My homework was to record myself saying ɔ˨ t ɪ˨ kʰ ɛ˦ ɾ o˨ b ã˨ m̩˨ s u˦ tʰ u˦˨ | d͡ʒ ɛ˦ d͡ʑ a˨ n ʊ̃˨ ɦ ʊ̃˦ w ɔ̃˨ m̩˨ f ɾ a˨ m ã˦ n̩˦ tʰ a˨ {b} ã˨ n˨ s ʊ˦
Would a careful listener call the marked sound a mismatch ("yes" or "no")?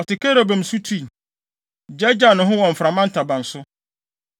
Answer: no